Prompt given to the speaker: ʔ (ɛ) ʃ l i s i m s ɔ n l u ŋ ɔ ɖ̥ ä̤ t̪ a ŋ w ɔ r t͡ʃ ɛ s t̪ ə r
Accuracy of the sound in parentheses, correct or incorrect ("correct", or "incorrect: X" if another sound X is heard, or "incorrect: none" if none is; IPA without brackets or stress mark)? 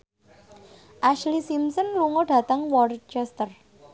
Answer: incorrect: a